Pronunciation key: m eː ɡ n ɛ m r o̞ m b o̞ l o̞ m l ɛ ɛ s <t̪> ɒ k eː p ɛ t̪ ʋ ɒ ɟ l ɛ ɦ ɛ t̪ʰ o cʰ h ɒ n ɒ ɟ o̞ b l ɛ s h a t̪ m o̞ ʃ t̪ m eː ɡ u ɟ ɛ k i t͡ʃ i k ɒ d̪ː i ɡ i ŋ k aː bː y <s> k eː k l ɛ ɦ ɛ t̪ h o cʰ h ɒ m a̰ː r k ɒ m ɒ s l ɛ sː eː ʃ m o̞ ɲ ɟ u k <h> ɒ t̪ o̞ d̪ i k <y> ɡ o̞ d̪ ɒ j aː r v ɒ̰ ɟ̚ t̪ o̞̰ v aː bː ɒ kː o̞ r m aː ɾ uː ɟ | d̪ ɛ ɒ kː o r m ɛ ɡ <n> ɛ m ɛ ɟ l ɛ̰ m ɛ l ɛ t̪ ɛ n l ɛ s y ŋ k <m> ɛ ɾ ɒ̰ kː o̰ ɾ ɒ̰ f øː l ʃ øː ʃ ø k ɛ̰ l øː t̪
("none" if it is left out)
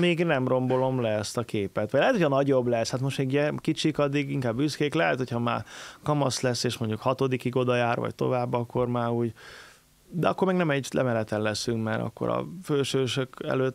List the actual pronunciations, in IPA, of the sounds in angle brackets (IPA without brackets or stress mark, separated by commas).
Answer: t̪, s, h, i, n, m